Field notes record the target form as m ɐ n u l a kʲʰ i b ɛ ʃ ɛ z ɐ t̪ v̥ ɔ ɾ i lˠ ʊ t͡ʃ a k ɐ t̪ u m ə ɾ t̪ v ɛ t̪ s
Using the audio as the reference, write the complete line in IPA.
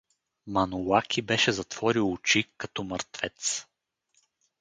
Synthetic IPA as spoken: m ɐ n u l a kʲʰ i b ɛ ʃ ɛ z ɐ t̪ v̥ ɔ ɾ i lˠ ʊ t͡ʃ i k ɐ t̪ ɔ m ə ɾ t̪ v ɛ t̪ s